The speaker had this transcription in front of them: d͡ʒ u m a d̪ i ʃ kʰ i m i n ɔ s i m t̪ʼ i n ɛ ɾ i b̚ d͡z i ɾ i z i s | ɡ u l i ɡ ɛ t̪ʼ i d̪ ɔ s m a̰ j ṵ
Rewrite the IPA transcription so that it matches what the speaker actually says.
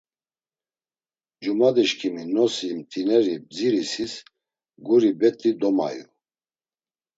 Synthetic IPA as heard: d͡ʒ u m a d̪ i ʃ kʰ i m i n ɔ s i m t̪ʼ i n ɛ ɾ i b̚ d͡z i ɾ i s i s | ɡ u ɾ i b ɛ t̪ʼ i d̪ ɔ m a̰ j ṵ